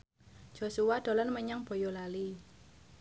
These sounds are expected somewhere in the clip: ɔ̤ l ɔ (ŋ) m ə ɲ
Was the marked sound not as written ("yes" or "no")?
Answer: yes